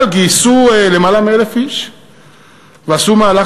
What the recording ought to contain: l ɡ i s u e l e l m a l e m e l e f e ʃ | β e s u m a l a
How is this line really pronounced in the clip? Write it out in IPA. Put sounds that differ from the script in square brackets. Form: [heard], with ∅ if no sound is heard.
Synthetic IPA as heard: l ɡ i s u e l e [∅] m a l [a] m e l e f [i] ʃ | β [a] s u m a l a